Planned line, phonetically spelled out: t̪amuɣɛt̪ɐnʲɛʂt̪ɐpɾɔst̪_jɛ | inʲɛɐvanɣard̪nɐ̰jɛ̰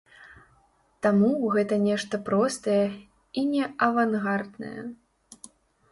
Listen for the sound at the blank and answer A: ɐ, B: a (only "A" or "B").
A